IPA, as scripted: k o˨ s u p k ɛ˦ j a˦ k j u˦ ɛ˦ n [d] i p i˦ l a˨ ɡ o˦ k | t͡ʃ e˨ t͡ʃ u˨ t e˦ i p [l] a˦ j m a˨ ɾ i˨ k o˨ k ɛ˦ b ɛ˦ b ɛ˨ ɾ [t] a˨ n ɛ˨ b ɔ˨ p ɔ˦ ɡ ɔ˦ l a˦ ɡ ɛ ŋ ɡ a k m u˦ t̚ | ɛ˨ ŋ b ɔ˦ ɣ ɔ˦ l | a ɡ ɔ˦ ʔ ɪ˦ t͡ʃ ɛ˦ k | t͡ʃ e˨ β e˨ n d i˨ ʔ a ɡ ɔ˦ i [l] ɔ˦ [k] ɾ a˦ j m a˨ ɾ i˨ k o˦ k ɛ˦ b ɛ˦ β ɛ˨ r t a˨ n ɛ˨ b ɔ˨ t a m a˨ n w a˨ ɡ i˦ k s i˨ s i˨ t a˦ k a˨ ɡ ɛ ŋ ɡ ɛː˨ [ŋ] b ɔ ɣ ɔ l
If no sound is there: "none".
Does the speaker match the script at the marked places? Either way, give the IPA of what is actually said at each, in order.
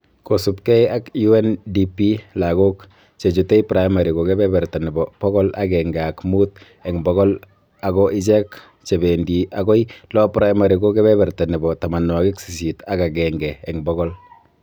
d, ɾ, t, l, p, ŋ

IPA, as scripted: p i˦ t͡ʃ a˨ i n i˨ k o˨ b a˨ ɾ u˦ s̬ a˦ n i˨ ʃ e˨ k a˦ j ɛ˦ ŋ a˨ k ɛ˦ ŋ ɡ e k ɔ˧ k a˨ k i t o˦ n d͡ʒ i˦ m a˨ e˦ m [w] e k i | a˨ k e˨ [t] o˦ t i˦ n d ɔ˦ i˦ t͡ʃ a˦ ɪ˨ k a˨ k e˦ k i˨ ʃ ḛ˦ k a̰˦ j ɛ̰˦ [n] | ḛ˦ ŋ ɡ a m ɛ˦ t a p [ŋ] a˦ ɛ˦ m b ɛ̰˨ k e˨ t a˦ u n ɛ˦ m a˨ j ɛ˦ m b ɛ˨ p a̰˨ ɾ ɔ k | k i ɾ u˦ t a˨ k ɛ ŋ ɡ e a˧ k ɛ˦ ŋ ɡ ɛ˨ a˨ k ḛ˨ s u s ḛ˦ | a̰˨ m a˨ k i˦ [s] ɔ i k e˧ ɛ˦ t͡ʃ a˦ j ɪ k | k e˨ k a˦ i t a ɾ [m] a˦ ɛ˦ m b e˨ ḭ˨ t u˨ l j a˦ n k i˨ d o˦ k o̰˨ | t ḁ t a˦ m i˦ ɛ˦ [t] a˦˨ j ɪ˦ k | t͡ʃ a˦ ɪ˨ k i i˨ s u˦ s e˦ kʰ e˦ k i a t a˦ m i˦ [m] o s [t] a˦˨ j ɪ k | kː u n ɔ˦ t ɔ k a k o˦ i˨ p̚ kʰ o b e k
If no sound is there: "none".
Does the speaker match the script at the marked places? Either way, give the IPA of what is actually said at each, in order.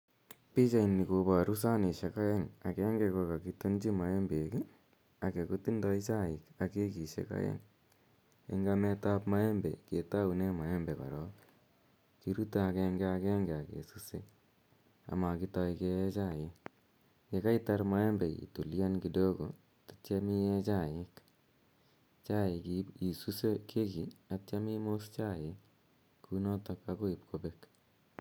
b, k, ŋ, m, t, m, t͡ʃ, m, t͡ʃ

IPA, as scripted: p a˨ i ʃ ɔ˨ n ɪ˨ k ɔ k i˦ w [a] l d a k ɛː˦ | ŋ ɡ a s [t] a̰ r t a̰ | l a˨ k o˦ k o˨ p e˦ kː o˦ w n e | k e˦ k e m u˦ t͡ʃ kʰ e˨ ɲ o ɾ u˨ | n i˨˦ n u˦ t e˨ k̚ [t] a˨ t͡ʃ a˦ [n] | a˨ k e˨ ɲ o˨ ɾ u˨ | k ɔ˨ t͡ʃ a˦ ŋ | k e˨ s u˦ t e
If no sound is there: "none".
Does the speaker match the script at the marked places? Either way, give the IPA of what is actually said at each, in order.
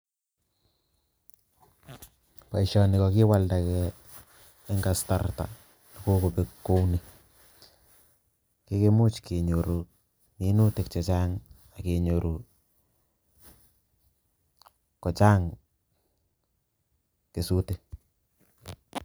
a, t, t͡ʃ, ŋ

